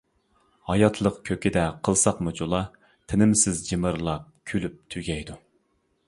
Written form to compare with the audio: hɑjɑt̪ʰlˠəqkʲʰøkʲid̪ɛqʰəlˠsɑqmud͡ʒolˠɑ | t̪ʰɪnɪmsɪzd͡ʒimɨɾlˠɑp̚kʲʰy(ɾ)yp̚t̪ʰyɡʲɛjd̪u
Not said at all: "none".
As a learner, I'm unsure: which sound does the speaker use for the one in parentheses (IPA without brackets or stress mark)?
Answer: l